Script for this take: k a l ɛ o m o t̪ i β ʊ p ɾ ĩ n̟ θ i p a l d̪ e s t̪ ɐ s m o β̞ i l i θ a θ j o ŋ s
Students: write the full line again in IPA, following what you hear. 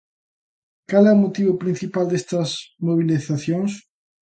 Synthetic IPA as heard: k a l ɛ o m o t̪ i β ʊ p ɾ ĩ n̟ θ i p a l d̪ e s t̪ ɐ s m o β̞ i l i θ a θ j o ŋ s